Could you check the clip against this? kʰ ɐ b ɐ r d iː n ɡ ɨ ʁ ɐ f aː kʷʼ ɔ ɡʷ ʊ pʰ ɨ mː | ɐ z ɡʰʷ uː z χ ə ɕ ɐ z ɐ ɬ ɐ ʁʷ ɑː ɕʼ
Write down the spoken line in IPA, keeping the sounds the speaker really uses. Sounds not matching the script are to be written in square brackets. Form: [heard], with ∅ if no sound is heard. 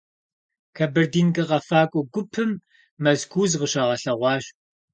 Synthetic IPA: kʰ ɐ b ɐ r d iː n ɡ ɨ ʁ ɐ f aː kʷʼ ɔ ɡʷ ʊ pʰ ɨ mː | ɐ z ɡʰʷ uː z [ʁ] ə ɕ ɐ [ʁ] ɐ ɬ ɐ ʁʷ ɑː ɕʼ